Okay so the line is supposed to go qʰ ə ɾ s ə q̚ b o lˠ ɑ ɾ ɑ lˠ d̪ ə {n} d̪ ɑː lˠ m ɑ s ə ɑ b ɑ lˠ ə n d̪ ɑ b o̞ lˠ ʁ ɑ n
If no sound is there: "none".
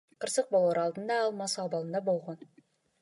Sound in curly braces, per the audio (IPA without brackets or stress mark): n